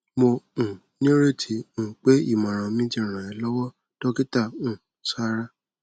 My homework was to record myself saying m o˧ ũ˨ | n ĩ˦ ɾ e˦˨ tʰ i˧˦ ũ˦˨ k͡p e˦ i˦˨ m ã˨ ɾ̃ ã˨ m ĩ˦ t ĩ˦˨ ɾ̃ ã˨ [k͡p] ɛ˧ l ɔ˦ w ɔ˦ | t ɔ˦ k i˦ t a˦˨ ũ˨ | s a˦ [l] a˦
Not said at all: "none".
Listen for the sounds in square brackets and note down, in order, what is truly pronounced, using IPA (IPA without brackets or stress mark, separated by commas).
none, ɾ